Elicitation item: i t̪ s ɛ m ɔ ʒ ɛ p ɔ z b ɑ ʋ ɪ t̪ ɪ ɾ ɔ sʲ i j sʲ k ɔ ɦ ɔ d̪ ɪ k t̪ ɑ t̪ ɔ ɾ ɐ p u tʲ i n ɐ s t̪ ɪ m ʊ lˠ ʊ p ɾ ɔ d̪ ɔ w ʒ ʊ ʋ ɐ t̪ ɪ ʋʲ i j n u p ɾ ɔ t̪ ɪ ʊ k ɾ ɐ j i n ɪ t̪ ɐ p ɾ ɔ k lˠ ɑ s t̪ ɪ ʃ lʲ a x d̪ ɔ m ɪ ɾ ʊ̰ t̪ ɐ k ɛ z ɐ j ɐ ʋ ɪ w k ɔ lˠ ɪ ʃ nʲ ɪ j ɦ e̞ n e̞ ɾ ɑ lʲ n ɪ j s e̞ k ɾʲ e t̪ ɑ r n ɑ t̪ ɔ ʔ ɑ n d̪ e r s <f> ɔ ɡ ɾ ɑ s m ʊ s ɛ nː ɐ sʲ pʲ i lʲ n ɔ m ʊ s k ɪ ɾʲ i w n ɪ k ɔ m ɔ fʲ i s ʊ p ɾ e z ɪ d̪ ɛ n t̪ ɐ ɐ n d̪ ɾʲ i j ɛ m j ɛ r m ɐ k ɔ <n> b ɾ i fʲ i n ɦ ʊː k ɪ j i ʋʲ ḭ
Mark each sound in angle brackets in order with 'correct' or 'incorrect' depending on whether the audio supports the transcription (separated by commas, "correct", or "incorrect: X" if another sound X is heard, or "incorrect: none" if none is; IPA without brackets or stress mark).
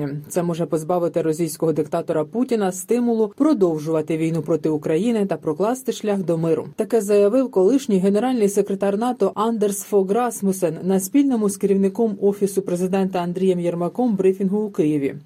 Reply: correct, incorrect: m